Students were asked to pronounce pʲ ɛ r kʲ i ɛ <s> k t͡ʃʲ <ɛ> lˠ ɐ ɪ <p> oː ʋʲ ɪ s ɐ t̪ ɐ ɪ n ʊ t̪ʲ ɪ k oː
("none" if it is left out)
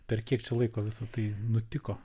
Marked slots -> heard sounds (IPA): none, ɛ, k

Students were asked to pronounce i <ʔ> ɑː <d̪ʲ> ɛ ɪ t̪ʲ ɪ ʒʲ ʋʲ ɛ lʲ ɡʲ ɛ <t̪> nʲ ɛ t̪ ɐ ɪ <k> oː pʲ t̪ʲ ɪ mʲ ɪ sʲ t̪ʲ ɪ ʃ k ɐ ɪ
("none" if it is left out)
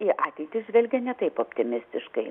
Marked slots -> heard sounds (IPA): ʔ, t̪ʲ, none, p

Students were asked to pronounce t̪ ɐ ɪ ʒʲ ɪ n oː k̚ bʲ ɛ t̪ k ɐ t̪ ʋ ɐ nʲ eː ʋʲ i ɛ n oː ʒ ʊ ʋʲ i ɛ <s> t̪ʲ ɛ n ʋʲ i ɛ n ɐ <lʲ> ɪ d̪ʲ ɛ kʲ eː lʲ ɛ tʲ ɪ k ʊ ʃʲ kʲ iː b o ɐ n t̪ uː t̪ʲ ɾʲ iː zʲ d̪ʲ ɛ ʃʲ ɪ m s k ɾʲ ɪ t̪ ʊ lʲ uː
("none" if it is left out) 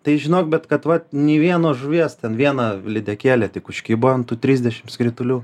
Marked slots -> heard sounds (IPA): s, lʲ

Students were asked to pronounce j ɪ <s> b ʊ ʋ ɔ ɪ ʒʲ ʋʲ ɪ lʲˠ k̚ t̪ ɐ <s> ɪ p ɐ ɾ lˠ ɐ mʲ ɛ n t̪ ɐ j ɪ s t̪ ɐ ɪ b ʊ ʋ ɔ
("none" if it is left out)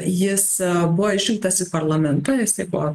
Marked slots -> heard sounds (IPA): s, s

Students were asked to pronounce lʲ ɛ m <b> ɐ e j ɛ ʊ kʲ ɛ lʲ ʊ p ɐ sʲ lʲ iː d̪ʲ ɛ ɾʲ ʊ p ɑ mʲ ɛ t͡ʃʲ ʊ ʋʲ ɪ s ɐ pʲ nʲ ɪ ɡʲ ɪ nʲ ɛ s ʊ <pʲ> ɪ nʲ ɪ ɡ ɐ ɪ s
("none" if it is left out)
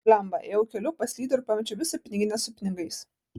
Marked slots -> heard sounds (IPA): b, pʲ

